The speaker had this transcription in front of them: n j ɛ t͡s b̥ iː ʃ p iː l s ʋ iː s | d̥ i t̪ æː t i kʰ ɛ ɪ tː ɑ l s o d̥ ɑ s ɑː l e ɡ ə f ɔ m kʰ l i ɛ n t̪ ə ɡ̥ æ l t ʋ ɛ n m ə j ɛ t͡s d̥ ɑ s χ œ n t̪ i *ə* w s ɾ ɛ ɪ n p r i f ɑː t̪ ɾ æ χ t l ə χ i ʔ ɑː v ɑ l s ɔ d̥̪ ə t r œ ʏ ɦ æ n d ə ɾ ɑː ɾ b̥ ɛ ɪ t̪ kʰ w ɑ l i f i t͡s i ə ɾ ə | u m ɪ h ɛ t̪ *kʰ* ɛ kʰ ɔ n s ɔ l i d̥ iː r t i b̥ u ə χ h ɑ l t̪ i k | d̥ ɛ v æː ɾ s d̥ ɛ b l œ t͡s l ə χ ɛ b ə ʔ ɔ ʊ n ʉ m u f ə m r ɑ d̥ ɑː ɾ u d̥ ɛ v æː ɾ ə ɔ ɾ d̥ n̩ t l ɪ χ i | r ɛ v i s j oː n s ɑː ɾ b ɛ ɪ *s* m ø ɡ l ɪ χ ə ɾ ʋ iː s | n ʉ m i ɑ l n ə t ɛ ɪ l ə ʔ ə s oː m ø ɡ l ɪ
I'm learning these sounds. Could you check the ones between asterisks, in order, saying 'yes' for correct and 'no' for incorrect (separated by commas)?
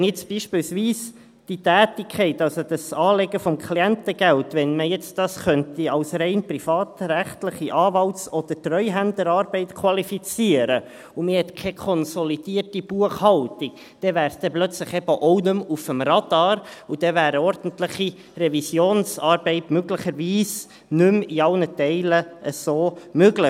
no, yes, no